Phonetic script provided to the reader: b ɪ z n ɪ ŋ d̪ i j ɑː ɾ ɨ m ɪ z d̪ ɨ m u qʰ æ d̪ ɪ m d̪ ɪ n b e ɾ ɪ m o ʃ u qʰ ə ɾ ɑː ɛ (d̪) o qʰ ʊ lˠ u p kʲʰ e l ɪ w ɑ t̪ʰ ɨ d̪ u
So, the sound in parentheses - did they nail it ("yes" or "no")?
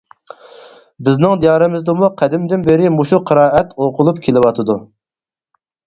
no